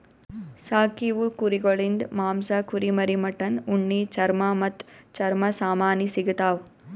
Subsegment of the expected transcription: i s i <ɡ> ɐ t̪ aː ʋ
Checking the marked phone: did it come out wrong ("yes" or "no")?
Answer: no